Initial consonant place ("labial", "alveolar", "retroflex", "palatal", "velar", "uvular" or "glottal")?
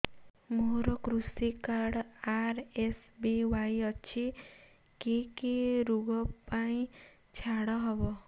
labial